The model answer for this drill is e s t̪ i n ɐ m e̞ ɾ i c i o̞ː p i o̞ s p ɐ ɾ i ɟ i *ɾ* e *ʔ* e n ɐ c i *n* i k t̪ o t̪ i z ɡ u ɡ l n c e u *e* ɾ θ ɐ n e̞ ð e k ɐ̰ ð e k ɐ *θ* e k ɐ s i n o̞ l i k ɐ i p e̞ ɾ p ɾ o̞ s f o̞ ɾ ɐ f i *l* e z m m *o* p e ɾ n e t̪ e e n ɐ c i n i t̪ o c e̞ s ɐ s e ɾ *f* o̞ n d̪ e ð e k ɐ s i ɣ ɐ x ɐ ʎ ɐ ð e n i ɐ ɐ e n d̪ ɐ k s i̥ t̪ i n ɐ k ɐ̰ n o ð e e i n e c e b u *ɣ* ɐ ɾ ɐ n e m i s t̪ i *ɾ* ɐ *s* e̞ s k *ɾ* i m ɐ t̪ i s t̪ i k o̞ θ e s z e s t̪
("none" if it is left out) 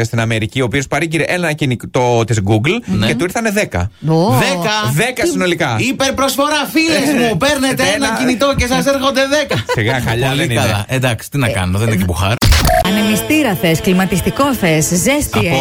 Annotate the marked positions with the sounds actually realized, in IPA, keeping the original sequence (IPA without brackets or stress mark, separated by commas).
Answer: ɾ, ʔ, n, i, ð, l, u, x, x, ɾ, θ, l